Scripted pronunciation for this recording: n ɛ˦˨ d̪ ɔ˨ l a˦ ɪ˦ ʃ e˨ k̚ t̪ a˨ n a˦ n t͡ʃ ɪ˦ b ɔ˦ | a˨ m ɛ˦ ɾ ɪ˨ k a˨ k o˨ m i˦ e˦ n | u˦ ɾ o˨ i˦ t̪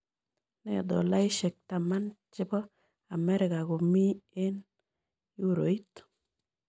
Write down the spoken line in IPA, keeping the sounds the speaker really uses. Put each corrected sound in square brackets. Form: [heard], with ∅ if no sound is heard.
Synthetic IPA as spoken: n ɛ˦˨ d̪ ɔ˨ l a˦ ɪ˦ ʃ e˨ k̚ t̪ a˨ [m] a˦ n t͡ʃ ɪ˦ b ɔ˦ | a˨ m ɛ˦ ɾ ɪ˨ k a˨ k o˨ m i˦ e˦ n | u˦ ɾ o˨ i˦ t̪